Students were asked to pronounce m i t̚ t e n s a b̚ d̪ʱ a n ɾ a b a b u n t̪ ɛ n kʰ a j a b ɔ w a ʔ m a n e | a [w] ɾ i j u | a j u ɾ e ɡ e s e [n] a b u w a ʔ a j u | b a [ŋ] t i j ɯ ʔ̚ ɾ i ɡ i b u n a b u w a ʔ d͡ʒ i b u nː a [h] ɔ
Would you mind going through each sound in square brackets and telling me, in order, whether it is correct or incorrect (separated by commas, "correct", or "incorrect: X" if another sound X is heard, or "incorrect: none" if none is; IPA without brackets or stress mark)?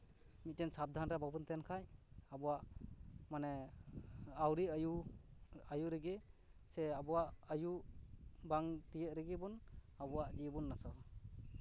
correct, incorrect: none, correct, incorrect: s